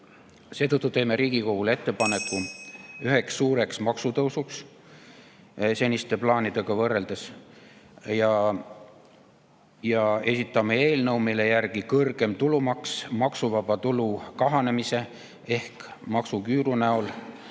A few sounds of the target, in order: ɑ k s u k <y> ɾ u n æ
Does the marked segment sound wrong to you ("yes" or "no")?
yes